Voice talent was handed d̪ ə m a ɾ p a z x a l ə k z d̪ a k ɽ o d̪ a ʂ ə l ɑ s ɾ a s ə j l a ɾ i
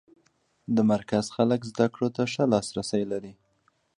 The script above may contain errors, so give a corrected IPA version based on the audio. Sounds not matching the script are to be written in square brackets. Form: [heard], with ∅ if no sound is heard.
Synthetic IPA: d̪ ə m a ɾ [k] a z x a l ə k z d̪ a k ɽ o [t̪] a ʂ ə l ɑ s ɾ a s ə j l a ɾ i